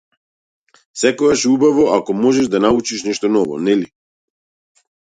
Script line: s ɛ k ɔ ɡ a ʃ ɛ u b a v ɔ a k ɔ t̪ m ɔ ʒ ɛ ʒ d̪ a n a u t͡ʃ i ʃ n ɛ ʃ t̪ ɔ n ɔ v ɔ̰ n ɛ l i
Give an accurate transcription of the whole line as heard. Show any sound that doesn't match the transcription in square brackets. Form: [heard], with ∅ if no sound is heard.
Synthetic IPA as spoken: s ɛ k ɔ ɡ a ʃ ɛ u b a v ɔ a k ɔ [∅] m ɔ ʒ ɛ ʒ d̪ a n a u t͡ʃ i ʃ n ɛ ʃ t̪ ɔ n ɔ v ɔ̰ n ɛ l i